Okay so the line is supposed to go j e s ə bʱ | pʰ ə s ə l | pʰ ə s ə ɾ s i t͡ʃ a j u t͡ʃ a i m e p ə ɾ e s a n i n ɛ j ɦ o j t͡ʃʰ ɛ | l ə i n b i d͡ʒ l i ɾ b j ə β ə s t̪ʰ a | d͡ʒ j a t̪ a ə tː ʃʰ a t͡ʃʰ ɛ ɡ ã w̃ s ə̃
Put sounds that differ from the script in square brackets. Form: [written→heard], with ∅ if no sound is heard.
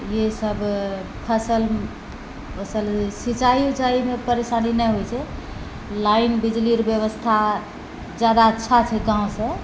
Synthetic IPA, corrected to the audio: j e s ə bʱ | pʰ ə s ə l | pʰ ə s ə [ɾ→l] s i t͡ʃ a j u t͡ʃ a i m e p ə ɾ e s a n i n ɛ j ɦ o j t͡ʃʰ ɛ | l [ə→a] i n b i d͡ʒ l i ɾ b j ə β ə s t̪ʰ a | d͡ʒ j a [t̪→d̪] a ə tː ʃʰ a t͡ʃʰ ɛ ɡ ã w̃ s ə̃